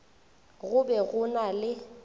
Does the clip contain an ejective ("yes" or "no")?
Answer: no